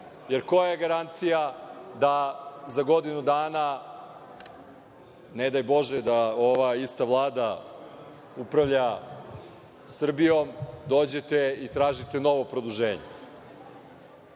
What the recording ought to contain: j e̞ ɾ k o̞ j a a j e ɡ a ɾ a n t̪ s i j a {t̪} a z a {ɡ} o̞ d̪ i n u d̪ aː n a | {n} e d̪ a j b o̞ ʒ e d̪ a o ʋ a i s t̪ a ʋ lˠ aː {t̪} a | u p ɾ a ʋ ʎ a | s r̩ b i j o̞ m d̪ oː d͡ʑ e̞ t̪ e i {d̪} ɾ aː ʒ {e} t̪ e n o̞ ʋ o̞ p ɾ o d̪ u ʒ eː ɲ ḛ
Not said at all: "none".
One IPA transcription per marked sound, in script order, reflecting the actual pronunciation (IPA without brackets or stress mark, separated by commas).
d̪, ɡ, n, d̪, t̪, i